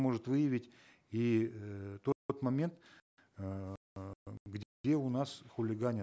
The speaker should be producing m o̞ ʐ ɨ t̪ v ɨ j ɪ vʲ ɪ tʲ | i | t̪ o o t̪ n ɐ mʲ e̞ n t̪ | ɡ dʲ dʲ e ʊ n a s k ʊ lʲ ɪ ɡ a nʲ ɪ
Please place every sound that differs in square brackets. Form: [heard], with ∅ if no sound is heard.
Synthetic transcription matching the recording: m o̞ ʐ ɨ t̪ v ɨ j ɪ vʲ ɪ tʲ | i | t̪ o o t̪ [m] ɐ mʲ e̞ n t̪ | ɡ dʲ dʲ e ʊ n a s [x] ʊ lʲ ɪ ɡ a nʲ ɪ